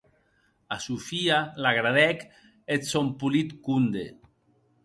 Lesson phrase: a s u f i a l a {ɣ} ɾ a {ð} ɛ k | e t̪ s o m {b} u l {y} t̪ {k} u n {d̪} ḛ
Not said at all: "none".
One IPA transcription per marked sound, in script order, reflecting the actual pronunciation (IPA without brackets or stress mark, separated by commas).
ɣ, ð, p, i, k, d̪